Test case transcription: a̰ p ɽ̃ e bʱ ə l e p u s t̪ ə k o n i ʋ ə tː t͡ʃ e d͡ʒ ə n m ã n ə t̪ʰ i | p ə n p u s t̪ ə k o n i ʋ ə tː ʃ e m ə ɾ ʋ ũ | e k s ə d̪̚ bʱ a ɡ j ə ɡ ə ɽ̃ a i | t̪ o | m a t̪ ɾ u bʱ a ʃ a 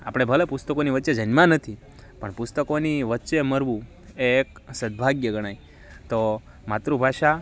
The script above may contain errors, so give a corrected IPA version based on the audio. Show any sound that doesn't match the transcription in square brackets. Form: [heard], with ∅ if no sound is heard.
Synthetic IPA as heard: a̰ p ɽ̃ e bʱ ə l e p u s t̪ ə k o n i ʋ ə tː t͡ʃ e d͡ʒ ə n m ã n ə t̪ʰ i | p ə [ɳ] p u s t̪ ə k o n i ʋ ə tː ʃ e m ə ɾ ʋ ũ | e k s ə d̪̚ bʱ a ɡ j ə ɡ ə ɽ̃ a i | t̪ o | m a t̪ ɾ u bʱ a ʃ a